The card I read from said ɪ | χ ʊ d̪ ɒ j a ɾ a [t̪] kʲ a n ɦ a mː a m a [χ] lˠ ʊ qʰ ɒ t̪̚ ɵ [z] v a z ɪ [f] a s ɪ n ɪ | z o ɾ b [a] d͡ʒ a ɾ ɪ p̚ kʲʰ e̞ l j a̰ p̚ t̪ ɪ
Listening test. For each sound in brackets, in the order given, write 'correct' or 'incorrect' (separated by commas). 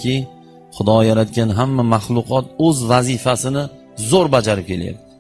correct, correct, correct, correct, correct